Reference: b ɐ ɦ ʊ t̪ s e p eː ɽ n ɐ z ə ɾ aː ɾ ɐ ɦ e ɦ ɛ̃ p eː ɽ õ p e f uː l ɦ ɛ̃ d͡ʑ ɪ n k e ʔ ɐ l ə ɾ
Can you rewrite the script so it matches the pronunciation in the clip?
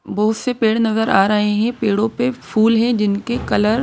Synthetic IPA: b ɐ ɦ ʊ t̪ s e p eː ɽ n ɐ z ə ɾ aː ɾ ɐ ɦ e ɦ ɛ̃ p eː ɽ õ p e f uː l ɦ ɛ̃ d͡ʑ ɪ n k e k ɐ l ə ɾ